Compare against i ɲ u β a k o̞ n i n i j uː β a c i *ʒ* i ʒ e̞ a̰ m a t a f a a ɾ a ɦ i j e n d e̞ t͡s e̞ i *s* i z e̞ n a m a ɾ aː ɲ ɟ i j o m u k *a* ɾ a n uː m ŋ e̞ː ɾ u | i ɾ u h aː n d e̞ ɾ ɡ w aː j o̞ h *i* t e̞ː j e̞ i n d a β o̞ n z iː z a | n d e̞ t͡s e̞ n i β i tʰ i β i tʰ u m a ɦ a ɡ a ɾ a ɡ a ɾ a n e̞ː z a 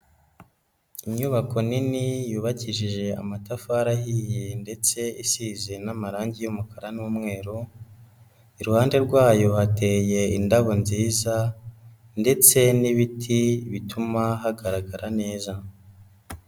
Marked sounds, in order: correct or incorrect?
correct, correct, correct, incorrect

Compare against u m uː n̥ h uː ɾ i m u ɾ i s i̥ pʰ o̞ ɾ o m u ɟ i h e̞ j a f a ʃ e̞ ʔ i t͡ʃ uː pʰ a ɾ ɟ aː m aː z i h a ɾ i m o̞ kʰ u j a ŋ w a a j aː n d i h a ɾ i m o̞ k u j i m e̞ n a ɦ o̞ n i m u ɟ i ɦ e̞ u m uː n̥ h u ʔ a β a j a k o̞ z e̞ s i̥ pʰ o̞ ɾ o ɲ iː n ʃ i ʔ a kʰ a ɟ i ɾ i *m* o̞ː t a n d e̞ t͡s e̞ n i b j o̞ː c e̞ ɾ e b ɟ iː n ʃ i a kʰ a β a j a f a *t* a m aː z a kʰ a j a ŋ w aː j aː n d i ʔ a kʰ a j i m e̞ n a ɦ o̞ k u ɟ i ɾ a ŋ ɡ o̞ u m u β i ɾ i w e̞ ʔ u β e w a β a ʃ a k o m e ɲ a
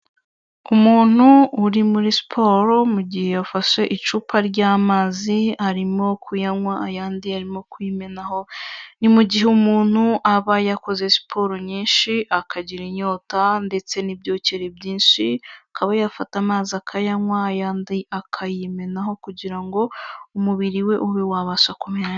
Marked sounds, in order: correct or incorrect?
incorrect, correct

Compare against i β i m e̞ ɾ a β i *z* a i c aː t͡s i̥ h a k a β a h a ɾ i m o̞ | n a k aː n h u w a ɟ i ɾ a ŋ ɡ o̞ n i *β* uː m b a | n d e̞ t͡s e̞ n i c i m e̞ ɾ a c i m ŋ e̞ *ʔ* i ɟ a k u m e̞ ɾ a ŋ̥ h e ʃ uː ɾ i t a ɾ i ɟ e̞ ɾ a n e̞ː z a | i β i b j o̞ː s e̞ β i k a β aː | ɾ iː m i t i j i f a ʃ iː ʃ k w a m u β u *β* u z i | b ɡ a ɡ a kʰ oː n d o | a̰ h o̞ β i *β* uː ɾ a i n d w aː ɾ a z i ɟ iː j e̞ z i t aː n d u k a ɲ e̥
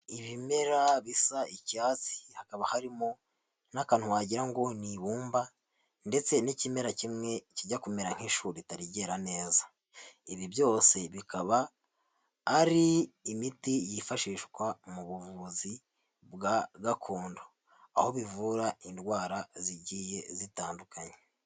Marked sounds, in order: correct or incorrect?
incorrect, correct, incorrect, incorrect, incorrect

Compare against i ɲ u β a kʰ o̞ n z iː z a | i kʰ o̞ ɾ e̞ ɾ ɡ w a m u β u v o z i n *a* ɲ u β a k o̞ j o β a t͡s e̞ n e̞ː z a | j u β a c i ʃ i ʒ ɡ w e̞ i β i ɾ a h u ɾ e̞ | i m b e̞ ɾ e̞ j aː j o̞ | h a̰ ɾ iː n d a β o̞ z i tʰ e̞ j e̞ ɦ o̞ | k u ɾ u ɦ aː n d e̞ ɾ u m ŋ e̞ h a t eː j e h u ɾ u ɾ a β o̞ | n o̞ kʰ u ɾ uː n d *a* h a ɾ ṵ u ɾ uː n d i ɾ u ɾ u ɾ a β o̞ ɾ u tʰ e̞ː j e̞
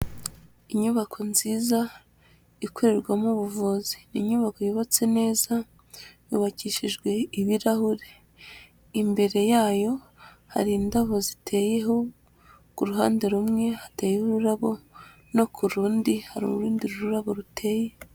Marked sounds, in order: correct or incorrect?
incorrect, incorrect

